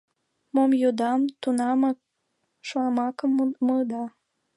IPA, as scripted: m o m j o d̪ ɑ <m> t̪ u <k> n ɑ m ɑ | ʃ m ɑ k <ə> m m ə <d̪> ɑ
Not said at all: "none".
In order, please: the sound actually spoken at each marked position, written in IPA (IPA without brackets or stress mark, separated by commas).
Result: m, none, ə, d̪